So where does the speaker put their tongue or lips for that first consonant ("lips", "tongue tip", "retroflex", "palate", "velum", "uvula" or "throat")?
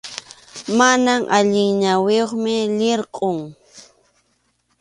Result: lips